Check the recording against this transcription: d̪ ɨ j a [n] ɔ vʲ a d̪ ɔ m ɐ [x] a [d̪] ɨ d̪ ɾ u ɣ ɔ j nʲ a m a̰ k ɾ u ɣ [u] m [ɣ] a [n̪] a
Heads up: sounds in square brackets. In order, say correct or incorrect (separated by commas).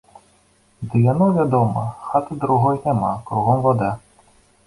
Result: correct, correct, incorrect, incorrect, incorrect, incorrect